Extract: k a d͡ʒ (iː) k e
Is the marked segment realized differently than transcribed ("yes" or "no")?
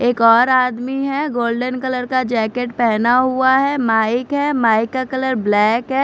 yes